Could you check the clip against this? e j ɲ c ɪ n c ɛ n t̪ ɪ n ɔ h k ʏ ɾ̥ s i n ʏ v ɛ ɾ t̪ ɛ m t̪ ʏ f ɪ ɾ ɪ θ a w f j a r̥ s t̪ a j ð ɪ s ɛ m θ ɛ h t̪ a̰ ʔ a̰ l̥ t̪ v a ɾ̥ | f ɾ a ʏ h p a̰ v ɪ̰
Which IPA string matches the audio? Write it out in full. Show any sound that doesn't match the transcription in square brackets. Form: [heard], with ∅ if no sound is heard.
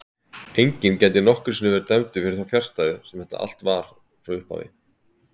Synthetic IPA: e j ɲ c ɪ n c ɛ n t̪ ɪ n ɔ h k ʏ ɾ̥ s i n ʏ v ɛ ɾ t̪ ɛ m t̪ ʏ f ɪ ɾ ɪ θ a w f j a r̥ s t̪ a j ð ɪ s ɛ m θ ɛ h t̪ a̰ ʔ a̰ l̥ t̪ v a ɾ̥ | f ɾ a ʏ h p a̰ v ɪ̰

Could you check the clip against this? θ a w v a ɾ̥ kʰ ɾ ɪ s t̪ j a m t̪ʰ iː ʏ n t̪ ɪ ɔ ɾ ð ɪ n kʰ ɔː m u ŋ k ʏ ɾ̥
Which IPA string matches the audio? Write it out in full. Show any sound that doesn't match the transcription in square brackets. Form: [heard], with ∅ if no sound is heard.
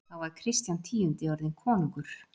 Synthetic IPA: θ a w v a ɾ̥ kʰ ɾ ɪ s t̪ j a [n] t̪ʰ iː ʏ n t̪ ɪ ɔ ɾ ð ɪ n kʰ ɔː [n] u ŋ k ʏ ɾ̥

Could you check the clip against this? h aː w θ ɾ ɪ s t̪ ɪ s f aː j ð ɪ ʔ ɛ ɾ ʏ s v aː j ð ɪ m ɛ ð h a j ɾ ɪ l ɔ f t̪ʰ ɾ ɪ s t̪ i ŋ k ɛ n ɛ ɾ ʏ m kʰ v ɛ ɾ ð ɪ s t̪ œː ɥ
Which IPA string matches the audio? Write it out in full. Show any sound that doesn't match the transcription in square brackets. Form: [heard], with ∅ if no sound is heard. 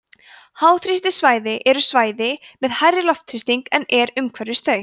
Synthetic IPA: h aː w θ ɾ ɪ s t̪ ɪ s [v] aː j ð ɪ ʔ ɛ ɾ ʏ s v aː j ð ɪ m ɛ ð h a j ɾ ɪ l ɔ f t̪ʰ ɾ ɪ s t̪ i ŋ k ɛ n ɛ ɾ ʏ m kʰ v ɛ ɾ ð ɪ s t̪ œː ɥ

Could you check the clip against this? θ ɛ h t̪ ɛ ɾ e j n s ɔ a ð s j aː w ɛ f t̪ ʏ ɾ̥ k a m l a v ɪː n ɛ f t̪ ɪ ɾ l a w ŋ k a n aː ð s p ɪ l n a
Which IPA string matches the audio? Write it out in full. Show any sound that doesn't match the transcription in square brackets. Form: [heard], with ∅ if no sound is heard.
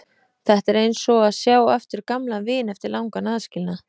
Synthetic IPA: θ ɛ h t̪ ɛ ɾ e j n s ɔ a ð s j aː w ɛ f t̪ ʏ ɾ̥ k a m l a v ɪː n ɛ f t̪ ɪ ɾ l a w ŋ k a n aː ð s [c] ɪ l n a

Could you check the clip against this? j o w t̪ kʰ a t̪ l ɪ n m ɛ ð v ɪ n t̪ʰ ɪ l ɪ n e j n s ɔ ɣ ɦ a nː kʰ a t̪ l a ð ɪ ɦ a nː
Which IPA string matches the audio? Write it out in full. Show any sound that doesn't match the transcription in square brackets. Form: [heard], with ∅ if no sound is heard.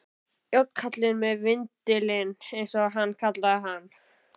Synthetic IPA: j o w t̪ kʰ a t̪ l ɪ n m ɛ ð v ɪ n [t̪] ɪ l ɪ n e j n s ɔ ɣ ɦ a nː kʰ a t̪ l a ð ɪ ɦ a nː

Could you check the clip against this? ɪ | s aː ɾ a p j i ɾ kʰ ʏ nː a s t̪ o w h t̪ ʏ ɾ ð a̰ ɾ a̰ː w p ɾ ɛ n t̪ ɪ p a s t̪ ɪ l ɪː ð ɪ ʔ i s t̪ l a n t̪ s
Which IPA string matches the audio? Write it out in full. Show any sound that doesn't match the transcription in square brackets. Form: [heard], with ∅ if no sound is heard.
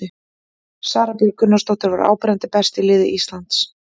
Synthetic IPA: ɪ | s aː ɾ a p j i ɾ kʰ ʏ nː a s t̪ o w h t̪ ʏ ɾ [v] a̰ ɾ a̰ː w p ɾ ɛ n t̪ ɪ p [ɛ] s t̪ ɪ l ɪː ð ɪ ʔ i s t̪ l a n t̪ s

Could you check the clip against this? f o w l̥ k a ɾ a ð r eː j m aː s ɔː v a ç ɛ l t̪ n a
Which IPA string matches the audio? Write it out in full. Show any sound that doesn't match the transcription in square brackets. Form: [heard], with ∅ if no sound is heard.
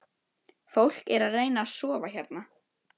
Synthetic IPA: f o w l̥ k [ɛ] ɾ a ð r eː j [n] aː s ɔː v a ç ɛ [ɾ] t̪ n a

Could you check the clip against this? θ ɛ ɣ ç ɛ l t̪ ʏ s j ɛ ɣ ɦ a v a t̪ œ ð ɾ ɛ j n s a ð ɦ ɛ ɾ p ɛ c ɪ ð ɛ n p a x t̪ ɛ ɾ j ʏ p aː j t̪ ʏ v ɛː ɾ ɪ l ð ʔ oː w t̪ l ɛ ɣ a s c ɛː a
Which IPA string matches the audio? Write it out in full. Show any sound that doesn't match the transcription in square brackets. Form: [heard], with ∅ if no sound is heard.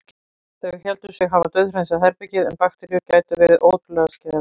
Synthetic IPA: θ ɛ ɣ ç ɛ l t̪ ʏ s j ɛ ɣ ɦ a v a t̪ œ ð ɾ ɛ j n s a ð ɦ ɛ ɾ p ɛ c ɪ ð ɛ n p a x t̪ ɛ ɾ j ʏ [c] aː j t̪ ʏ v ɛː ɾ ɪ [∅] ð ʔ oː w t̪ l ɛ ɣ a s c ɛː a

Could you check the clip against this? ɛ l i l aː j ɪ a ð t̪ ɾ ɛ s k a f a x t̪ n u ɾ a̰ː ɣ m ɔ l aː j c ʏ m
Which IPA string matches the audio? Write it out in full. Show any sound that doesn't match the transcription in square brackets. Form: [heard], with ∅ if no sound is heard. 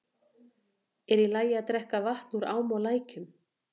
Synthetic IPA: ɛ [ɾ] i l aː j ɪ a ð t̪ ɾ ɛ [h] k a [v] a [h] t̪ n u ɾ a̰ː [w] m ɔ l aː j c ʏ m

